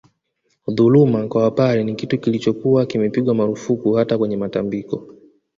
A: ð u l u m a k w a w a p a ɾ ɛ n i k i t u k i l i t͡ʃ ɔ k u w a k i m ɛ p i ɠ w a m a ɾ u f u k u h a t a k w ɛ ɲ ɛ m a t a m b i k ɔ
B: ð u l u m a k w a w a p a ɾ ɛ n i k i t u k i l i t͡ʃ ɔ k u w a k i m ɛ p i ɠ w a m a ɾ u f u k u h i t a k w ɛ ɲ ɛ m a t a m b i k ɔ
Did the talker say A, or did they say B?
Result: A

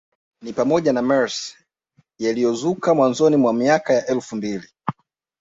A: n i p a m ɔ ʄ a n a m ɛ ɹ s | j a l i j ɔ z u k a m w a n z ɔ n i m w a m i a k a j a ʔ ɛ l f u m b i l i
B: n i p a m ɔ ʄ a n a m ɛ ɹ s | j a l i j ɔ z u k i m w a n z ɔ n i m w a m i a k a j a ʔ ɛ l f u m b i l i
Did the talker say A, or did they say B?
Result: A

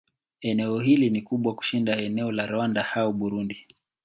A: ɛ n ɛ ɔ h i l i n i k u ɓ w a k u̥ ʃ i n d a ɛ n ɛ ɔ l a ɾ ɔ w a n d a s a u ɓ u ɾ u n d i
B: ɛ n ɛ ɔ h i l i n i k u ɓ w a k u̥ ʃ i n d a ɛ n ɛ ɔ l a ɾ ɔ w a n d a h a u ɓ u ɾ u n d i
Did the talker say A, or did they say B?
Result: B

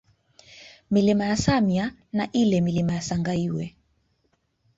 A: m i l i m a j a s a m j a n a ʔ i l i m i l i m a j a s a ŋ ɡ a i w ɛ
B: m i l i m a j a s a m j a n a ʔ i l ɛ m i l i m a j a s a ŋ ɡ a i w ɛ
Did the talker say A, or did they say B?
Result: B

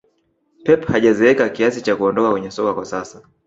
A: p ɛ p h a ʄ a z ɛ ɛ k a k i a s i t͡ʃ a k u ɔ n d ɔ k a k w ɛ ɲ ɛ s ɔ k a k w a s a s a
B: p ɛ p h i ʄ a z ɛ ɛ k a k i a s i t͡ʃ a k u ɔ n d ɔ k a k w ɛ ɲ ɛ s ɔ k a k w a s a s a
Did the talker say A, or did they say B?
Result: A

